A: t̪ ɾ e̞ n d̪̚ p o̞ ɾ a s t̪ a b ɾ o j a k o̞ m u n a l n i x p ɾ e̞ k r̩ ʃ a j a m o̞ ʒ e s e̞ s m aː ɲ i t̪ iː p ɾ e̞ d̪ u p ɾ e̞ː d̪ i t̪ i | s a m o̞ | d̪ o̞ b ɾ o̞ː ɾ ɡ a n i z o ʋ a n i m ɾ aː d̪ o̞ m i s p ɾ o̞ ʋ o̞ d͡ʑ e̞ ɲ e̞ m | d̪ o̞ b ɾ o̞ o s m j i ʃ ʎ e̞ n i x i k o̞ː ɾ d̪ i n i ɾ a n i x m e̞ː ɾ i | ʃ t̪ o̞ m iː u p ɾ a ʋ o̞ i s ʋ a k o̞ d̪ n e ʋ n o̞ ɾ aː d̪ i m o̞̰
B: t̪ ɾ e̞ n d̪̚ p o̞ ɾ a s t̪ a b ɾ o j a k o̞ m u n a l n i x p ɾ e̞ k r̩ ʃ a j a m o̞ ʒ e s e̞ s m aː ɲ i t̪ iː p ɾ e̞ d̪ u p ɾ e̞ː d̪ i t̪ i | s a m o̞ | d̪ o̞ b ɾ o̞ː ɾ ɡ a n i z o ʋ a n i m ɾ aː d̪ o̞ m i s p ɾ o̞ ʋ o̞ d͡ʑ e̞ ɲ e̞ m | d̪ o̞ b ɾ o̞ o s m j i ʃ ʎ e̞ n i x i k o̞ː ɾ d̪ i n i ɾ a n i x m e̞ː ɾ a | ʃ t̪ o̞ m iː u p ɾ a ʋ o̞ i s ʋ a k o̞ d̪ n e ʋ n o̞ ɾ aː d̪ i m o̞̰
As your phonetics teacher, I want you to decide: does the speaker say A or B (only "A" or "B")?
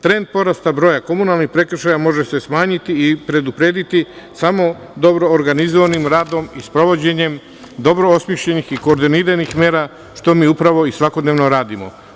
B